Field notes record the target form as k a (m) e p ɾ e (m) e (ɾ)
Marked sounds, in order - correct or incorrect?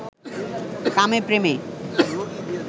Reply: correct, correct, incorrect

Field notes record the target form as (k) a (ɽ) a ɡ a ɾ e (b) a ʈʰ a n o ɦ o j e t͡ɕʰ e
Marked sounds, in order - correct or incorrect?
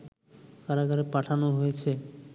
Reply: correct, incorrect, incorrect

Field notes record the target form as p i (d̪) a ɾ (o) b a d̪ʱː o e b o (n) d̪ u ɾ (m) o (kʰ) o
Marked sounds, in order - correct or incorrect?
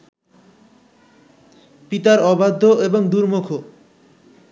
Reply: incorrect, incorrect, incorrect, correct, correct

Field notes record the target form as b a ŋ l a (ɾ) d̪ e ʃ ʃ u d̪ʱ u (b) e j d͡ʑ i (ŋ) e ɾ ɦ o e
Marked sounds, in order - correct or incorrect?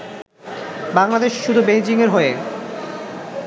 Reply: incorrect, correct, correct

